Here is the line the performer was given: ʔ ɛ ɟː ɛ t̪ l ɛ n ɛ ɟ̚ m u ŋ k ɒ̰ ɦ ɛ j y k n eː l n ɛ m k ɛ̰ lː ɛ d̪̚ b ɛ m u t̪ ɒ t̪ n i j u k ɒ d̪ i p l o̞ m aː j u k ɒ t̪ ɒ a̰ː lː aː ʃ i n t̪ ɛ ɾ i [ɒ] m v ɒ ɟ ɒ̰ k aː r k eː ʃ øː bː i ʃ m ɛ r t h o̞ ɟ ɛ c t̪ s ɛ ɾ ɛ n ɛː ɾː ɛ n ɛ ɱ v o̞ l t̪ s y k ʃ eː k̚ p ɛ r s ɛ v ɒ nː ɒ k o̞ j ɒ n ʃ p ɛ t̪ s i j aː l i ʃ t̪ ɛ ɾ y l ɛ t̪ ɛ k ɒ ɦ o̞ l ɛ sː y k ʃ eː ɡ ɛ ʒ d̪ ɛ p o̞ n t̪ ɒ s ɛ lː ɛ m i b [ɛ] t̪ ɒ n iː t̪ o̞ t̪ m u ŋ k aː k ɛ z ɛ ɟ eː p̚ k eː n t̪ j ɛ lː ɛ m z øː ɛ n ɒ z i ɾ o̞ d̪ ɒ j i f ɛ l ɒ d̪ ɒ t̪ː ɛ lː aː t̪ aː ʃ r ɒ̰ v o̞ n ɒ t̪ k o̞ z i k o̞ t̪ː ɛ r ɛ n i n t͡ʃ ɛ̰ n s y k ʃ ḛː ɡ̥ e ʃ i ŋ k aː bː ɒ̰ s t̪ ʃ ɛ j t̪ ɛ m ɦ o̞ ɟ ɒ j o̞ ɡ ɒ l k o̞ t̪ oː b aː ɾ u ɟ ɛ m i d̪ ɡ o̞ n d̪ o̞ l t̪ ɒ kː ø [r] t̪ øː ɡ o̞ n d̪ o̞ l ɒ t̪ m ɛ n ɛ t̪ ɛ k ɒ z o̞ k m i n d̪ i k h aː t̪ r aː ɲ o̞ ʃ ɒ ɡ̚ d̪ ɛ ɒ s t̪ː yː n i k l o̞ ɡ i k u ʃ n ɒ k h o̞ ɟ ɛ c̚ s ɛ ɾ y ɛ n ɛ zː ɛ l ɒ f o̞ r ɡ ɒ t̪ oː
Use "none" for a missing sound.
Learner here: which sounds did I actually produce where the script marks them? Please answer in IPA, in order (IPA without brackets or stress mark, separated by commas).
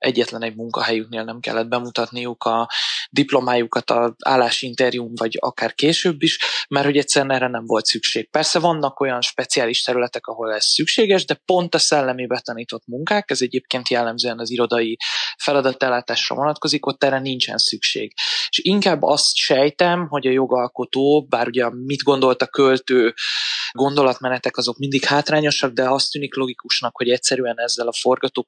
u, ɛ, l